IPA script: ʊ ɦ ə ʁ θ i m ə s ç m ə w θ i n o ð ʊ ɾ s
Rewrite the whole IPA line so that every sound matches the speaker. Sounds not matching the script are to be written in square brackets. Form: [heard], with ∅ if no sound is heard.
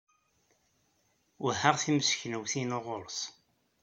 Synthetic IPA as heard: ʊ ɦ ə ʁ θ i m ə s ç [n] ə w θ i n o [ʁ] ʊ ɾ s